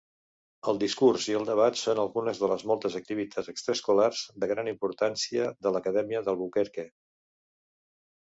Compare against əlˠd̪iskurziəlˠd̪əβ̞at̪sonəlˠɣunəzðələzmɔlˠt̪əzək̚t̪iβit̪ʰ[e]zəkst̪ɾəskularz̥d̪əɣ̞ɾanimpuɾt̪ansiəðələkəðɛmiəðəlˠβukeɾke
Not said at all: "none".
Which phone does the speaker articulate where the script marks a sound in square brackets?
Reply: a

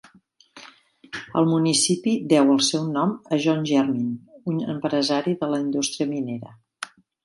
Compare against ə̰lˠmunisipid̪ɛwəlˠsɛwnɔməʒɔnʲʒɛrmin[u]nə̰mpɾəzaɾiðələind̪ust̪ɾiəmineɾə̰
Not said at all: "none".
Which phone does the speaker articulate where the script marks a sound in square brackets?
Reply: u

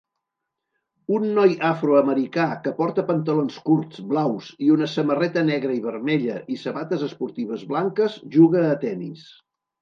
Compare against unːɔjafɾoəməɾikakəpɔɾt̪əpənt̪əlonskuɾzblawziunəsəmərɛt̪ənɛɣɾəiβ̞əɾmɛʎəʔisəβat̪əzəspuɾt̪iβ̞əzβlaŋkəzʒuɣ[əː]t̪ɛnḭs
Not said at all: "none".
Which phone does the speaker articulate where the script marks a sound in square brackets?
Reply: əː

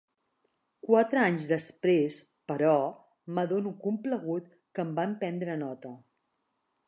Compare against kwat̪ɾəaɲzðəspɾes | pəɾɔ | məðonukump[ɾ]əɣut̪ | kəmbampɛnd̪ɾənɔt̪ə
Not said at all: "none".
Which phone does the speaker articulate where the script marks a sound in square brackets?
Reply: l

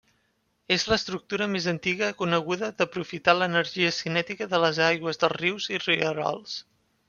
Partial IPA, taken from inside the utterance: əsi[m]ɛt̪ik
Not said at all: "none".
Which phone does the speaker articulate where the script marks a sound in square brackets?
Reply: n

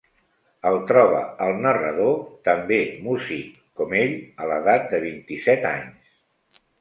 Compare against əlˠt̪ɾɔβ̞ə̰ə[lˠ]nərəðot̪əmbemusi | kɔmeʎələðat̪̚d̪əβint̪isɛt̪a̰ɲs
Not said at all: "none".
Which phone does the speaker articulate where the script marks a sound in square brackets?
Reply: lˠ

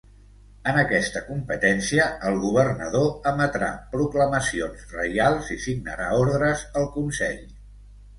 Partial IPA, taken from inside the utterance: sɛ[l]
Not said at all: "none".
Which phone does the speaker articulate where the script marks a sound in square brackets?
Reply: ʎ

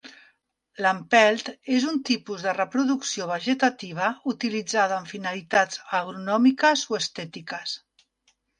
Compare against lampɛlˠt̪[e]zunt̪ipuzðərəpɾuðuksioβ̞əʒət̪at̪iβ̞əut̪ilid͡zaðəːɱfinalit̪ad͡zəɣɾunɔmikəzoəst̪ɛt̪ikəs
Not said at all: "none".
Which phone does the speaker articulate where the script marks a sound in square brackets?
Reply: e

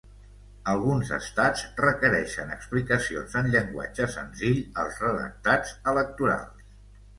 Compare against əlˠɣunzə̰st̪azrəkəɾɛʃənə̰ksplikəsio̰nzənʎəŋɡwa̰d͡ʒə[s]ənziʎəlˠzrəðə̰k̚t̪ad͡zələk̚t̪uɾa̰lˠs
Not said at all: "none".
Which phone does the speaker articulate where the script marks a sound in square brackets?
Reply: s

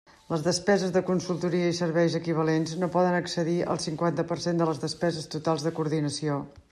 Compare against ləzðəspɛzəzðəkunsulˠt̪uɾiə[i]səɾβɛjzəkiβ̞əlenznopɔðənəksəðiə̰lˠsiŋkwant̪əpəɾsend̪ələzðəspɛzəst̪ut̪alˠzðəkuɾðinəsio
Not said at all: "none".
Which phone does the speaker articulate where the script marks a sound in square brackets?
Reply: i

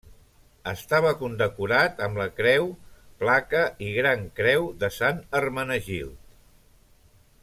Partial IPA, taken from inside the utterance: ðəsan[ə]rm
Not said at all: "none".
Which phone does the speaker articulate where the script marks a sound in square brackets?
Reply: ə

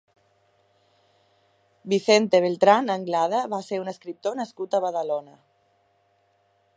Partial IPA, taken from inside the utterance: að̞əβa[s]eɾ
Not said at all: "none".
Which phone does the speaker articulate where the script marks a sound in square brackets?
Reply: s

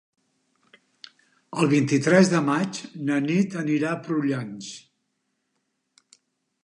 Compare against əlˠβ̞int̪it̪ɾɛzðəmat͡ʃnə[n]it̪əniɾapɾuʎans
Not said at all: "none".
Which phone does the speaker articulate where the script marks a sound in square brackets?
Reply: n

